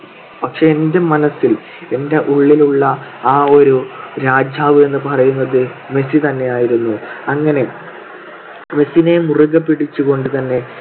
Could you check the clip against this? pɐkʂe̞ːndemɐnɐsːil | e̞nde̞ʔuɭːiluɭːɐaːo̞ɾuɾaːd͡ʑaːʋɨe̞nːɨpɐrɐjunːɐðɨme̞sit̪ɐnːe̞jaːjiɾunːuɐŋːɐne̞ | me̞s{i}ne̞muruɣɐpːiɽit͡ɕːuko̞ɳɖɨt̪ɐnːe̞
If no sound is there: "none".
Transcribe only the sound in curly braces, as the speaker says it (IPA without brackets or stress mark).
i